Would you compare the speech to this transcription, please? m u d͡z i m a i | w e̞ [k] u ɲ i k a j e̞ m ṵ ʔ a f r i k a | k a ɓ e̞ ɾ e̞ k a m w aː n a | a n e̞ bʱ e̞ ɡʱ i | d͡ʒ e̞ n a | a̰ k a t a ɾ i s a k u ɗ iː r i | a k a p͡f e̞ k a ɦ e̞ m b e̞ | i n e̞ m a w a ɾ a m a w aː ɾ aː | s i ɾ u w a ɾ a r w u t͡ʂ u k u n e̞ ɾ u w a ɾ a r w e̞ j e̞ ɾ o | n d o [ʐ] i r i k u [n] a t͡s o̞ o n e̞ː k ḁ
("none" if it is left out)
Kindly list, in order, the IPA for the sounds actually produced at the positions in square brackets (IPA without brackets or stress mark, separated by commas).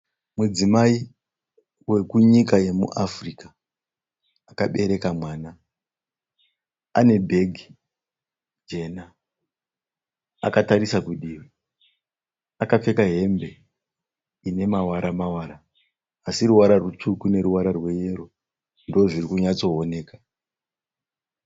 k, ʐ, ɲ